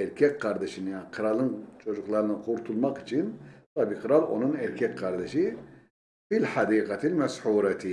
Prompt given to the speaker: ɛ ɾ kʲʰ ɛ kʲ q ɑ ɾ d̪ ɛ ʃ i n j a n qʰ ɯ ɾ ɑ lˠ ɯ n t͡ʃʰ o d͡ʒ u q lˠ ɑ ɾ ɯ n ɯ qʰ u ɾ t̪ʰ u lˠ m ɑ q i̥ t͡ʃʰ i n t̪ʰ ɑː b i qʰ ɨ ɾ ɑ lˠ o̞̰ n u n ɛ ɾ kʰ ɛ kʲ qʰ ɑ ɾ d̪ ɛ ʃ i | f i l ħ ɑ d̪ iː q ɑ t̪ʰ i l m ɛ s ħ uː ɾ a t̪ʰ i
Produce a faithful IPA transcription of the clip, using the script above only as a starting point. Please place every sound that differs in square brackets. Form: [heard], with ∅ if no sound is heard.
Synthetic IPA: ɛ ɾ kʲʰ ɛ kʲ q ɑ ɾ d̪ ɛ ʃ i n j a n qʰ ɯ ɾ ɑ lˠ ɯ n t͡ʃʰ o d͡ʒ u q lˠ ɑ ɾ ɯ n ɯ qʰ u ɾ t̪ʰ u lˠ m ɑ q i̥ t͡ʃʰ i n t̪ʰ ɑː b i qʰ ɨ ɾ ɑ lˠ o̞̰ n u n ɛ ɾ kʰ ɛ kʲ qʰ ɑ ɾ d̪ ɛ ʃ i | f i l ħ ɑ d̪ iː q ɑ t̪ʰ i l m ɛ s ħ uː ɾ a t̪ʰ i